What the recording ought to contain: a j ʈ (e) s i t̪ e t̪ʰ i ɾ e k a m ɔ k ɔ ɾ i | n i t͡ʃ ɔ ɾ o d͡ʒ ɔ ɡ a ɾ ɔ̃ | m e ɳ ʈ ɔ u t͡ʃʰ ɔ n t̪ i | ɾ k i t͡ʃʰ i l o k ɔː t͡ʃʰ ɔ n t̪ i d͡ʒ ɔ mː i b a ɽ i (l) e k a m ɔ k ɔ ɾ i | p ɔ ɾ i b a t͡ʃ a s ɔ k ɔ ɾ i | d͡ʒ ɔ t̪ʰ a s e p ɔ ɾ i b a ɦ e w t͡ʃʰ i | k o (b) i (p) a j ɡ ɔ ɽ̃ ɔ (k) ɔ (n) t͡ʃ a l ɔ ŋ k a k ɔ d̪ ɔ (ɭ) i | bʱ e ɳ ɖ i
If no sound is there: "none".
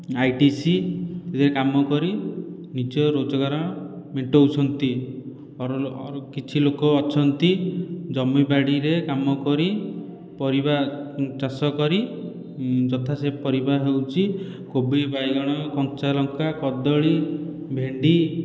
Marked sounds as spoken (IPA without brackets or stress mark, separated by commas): i, ɾ, b, b, k, ŋ, ɭ